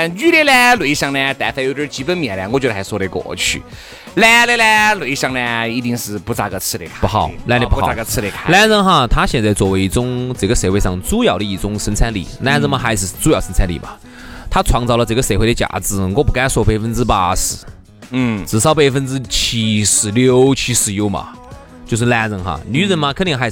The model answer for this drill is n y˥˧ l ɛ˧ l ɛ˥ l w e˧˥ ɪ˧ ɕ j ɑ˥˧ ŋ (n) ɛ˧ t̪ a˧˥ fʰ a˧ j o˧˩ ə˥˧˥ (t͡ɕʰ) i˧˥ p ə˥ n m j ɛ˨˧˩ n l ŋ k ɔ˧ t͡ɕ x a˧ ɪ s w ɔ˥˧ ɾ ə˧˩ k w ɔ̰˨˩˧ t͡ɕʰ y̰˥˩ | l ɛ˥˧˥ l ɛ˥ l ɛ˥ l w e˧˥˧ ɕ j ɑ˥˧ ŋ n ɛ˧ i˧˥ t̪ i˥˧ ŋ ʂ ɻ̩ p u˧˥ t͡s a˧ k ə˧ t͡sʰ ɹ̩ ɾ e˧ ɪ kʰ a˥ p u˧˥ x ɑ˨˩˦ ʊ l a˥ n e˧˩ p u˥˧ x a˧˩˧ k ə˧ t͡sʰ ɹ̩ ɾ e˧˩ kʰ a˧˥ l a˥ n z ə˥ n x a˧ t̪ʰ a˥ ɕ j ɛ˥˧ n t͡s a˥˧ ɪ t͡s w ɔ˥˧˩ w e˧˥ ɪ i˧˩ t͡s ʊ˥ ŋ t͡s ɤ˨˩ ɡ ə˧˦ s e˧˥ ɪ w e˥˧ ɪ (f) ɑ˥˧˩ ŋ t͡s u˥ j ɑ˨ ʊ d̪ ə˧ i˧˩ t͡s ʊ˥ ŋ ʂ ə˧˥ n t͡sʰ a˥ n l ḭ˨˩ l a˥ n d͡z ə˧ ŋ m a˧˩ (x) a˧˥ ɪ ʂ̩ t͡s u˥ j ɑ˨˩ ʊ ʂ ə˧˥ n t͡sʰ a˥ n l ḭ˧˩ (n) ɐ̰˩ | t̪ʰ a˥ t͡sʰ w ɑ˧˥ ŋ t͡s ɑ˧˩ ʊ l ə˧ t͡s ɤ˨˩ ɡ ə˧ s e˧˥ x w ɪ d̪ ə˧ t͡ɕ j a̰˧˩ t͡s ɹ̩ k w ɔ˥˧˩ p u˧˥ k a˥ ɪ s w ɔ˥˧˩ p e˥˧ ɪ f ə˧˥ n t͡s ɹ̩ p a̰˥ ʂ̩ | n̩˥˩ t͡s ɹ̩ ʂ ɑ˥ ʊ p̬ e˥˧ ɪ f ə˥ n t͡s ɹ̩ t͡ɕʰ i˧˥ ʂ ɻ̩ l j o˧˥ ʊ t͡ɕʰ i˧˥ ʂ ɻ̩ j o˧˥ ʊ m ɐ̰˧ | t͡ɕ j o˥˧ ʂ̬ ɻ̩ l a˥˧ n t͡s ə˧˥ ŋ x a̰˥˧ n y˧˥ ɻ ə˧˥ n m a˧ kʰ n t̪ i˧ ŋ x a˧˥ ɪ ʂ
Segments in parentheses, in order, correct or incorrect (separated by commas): correct, incorrect, incorrect, correct, incorrect